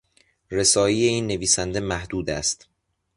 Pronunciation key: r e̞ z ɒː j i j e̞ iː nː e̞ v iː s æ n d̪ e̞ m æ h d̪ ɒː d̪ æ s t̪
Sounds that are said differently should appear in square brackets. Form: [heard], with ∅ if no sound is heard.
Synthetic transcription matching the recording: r e̞ [s] ɒː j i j e̞ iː nː e̞ v iː s æ n d̪ e̞ m æ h d̪ [uː] d̪ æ s t̪